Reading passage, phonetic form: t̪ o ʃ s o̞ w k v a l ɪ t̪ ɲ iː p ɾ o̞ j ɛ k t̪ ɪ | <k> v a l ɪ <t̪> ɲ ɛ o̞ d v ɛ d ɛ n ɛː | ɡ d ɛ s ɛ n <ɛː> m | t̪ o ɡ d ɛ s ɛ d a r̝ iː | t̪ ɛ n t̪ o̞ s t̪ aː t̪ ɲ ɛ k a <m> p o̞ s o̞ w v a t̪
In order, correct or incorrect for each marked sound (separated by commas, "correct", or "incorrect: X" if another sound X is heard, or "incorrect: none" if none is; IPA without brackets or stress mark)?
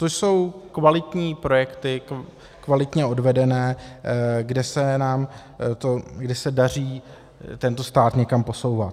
correct, correct, incorrect: aː, correct